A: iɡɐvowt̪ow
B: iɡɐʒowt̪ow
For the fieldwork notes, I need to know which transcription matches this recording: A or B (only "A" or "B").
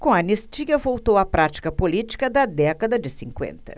A